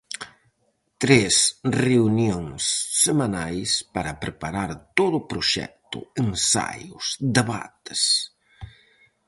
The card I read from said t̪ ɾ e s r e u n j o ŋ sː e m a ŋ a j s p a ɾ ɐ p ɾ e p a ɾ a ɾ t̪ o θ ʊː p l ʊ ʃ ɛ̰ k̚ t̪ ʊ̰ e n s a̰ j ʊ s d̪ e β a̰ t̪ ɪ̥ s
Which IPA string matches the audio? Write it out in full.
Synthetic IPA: t̪ ɾ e s r e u n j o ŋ sː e m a n a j s p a ɾ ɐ p ɾ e p a ɾ a ɾ t̪ o ð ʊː p ɾ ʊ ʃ ɛ̰ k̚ t̪ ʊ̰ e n s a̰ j ʊ s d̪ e β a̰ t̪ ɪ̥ s